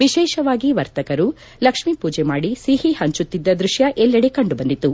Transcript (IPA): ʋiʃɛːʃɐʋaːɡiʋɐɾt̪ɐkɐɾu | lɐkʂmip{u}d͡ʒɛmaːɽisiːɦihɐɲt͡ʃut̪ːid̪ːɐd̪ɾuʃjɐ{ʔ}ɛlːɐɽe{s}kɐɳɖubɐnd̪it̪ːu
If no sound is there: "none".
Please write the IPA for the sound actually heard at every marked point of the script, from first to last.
uː, ʔ, none

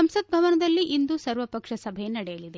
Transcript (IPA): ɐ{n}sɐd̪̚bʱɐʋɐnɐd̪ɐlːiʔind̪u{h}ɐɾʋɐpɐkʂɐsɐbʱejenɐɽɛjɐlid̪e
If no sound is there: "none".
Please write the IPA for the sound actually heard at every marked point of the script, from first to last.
m, s

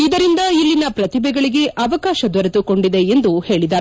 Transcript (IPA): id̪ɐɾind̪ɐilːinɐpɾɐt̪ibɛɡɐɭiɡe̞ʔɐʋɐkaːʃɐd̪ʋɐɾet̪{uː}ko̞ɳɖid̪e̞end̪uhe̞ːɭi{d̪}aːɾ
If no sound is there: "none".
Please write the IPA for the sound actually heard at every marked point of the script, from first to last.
u, d̪

